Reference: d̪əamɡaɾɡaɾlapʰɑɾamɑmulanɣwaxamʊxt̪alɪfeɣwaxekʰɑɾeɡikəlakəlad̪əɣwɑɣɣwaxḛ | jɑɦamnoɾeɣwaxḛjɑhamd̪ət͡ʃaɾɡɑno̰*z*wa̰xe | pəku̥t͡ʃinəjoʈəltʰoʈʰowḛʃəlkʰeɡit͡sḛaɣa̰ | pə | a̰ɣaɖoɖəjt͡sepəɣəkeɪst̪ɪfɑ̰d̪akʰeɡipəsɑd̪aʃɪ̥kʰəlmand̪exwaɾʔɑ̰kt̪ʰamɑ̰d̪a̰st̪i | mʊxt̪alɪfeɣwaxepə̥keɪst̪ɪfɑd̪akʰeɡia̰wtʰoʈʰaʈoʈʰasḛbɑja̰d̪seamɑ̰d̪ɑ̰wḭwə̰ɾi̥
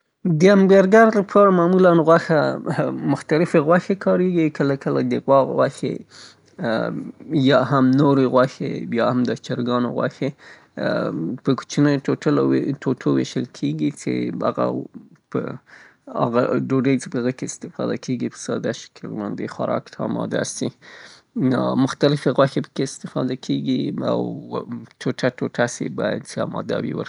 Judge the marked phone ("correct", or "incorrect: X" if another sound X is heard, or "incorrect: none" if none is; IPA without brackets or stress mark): incorrect: ɣ